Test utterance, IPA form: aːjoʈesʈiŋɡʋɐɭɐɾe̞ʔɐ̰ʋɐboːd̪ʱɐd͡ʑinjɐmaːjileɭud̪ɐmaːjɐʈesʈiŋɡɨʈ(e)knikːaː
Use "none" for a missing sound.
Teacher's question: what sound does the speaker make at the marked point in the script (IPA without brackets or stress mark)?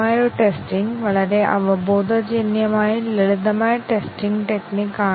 e